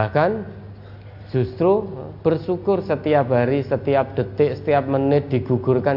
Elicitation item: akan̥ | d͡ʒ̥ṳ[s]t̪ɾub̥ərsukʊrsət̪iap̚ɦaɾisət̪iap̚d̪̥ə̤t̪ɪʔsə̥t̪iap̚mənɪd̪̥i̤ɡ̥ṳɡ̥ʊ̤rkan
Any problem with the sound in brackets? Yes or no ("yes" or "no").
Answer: no